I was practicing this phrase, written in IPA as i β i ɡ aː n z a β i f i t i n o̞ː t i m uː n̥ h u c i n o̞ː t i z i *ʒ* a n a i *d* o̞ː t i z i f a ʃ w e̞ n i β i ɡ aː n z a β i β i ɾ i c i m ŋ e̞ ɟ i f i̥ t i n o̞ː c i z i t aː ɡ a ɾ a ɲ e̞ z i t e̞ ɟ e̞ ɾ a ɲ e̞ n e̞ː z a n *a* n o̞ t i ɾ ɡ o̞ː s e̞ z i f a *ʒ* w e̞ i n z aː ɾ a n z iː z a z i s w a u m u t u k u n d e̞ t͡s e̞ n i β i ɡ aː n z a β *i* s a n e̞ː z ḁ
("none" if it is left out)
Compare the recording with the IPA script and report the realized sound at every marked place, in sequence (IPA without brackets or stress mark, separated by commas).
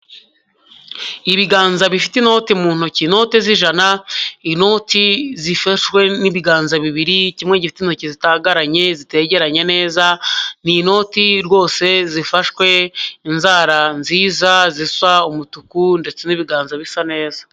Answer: ʒ, n, i, ʃ, i